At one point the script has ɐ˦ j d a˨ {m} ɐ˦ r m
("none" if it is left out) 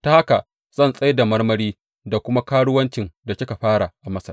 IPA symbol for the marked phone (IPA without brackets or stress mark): m